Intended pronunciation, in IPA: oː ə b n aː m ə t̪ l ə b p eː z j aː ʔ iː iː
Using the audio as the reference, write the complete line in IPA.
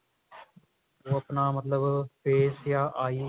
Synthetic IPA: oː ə p n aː m ə t̪ l ə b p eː s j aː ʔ aː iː